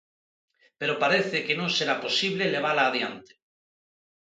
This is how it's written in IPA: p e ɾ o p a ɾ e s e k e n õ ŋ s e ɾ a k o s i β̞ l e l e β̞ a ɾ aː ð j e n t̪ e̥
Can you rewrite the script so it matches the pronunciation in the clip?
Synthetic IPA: p e ɾ o p a ɾ e θ e k e n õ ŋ s e ɾ a p o s i β̞ l e l e β̞ a l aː ð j a n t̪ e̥